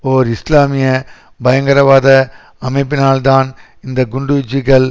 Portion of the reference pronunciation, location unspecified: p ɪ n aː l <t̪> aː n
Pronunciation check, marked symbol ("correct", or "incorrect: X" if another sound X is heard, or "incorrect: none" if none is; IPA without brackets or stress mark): incorrect: d̪